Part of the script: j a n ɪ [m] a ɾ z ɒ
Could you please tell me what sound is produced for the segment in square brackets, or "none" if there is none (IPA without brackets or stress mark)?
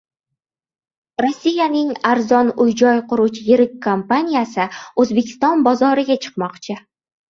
ŋ